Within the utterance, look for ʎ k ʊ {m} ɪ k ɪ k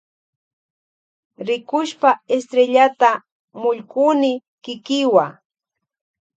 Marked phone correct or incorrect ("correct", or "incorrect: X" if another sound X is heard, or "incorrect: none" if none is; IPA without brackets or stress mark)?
incorrect: n